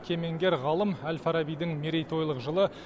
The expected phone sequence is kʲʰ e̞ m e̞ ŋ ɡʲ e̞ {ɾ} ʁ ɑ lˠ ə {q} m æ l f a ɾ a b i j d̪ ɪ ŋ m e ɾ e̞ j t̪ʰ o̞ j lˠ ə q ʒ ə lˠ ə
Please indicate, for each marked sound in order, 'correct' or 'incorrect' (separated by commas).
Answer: correct, incorrect